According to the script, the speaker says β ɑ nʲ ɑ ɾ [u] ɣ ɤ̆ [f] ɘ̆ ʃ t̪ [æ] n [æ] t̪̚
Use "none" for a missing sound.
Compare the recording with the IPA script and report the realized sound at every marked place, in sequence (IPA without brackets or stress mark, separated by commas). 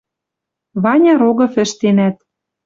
o, f, e, æ